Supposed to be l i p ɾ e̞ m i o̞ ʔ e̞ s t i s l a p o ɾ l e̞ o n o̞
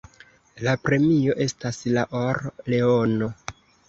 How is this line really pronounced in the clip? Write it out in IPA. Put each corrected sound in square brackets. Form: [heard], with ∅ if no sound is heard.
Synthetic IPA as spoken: l [a] p ɾ e̞ m i o̞ ʔ e̞ s t [a] s l a [ʔ] o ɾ l e̞ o n o̞

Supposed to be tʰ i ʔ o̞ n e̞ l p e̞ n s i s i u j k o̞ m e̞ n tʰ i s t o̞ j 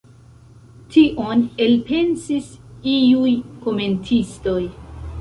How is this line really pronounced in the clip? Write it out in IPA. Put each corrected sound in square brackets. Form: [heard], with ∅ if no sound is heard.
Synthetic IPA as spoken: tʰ i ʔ o̞ n e̞ l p e̞ n s i s i u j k o̞ m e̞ n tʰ i s t o̞ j

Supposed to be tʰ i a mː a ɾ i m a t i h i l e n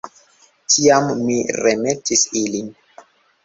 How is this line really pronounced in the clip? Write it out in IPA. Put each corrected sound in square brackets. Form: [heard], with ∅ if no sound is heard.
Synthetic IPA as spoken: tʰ i a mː [i] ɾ [e] m [e] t i [s] i l [i] n

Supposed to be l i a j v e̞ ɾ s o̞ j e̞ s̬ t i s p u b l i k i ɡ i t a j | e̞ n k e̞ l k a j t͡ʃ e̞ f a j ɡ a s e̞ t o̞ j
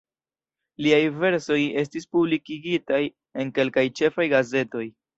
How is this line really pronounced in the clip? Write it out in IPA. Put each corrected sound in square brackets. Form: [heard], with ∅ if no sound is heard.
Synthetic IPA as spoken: l i a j v e̞ ɾ s o̞ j e̞ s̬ t i s p u b l i k i ɡ i t a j | e̞ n k e̞ l k a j t͡ʃ e̞ f a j ɡ a [z] e̞ t o̞ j

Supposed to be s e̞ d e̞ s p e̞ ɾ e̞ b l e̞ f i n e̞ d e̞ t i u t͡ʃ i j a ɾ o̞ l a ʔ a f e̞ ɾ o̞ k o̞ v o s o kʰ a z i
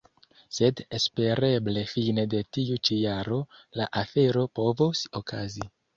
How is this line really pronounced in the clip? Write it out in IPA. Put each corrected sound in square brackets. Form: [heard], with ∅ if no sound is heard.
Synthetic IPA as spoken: s e̞ d e̞ s p e̞ ɾ e̞ b l e̞ f i n e̞ d e̞ t i u t͡ʃ i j a ɾ o̞ l a ʔ a f e̞ ɾ o̞ [p] o̞ v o s o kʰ a z i

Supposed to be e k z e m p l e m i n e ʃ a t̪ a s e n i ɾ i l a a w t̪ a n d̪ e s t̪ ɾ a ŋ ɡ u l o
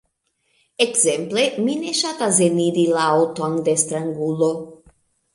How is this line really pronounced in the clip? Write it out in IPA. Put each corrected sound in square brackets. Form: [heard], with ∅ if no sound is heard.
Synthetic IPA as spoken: e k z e m p l e m i n e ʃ a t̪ a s e n i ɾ i l a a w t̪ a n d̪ e s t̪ ɾ a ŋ ɡ u l o

